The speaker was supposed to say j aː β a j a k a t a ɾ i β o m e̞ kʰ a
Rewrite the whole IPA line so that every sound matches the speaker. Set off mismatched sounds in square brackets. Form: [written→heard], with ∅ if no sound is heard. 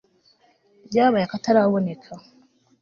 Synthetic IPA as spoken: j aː β a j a k a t a ɾ [i→a] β o [m→n] e̞ kʰ a